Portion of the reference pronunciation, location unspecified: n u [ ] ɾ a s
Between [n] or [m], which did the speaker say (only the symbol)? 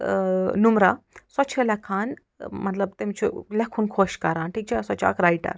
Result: m